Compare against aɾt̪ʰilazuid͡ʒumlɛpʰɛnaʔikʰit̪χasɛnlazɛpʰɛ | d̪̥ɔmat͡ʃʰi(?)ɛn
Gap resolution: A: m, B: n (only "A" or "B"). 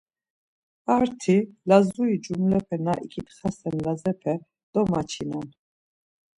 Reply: B